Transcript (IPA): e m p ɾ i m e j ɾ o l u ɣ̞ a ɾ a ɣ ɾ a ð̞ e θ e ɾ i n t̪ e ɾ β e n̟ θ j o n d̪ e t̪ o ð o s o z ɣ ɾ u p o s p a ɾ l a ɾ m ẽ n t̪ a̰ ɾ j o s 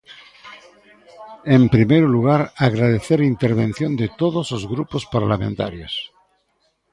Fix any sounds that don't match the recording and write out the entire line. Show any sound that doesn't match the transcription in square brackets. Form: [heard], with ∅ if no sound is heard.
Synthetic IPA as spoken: e m p ɾ i m e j ɾ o l u ɣ̞ a ɾ a ɣ ɾ a ð̞ e θ e ɾ i n t̪ e ɾ β e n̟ θ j o n d̪ e t̪ o ð o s o z ɣ ɾ u p o s p a ɾ l a [∅] m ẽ n t̪ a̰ ɾ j o s